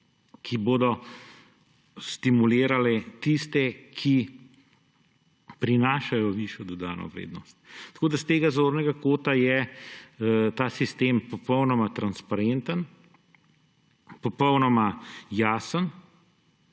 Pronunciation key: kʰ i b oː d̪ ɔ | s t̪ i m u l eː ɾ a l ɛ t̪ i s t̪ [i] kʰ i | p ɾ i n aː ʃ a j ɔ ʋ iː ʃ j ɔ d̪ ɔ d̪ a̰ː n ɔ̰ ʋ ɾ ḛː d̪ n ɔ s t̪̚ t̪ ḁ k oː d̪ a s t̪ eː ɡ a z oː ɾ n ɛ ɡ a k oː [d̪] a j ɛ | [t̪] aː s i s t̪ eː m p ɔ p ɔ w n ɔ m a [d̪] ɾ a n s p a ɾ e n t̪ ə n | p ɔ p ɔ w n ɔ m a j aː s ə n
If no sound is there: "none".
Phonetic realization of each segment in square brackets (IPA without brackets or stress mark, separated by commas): ɛ, t̪, t̪, t̪